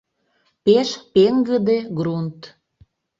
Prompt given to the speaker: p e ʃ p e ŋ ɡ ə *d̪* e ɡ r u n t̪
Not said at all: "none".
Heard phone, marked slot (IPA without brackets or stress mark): d̪